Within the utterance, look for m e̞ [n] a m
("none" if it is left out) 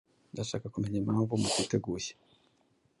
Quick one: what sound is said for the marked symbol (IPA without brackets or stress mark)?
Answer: ɲ